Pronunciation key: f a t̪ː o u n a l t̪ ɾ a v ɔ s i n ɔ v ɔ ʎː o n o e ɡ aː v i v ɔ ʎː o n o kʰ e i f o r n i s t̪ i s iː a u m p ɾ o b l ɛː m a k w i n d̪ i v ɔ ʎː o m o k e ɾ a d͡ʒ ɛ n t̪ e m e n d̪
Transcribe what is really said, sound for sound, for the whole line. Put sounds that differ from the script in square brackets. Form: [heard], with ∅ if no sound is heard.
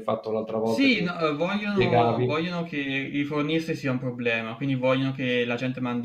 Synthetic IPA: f a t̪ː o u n a l t̪ ɾ a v ɔ s i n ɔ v ɔ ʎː o n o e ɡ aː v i v ɔ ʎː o n o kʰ e i f o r n i s t̪ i s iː a u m p ɾ o b l ɛː m a k w i n d̪ i v ɔ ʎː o [n] o k e [l] a d͡ʒ ɛ n t̪ e m [a] n d̪